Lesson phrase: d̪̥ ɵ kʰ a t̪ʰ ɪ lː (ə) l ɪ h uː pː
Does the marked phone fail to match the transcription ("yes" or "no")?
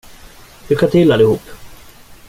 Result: yes